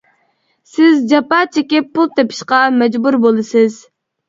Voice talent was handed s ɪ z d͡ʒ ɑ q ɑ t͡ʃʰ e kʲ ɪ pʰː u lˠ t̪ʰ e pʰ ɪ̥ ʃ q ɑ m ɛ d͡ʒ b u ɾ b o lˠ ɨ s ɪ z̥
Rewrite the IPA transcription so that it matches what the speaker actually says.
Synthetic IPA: s ɪ z d͡ʒ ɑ p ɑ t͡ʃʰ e kʲ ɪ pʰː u lˠ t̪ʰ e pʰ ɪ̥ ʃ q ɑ m ɛ d͡ʒ b u ɾ b o lˠ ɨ s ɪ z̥